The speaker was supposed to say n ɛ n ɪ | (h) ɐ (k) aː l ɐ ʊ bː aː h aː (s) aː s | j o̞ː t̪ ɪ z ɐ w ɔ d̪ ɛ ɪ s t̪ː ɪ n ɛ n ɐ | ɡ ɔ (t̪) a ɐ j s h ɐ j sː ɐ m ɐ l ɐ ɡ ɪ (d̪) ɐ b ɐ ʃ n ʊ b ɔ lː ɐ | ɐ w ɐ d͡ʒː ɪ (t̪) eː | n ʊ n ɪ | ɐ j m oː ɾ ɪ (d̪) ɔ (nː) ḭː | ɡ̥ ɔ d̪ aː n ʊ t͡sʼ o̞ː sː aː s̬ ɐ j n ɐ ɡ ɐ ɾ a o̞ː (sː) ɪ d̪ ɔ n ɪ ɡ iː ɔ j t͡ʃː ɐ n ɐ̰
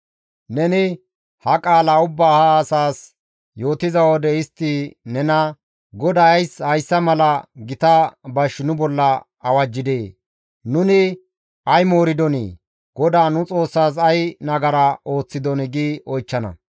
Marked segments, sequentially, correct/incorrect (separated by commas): correct, incorrect, correct, incorrect, incorrect, incorrect, correct, incorrect, incorrect